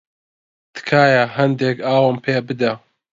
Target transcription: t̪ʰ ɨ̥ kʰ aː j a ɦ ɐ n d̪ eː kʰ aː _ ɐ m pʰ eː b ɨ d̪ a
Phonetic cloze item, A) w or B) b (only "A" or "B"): A